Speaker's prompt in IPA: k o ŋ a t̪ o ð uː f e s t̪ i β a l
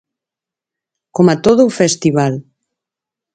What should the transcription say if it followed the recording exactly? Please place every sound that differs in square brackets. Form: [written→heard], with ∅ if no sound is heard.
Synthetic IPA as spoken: k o [ŋ→m] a t̪ o ð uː f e s t̪ i β a l